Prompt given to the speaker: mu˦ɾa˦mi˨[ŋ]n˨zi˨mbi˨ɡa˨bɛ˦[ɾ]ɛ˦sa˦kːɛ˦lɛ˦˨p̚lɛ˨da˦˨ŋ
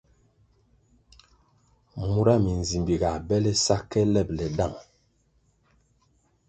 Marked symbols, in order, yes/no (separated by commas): no, no